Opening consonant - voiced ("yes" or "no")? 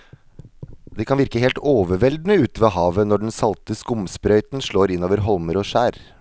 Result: yes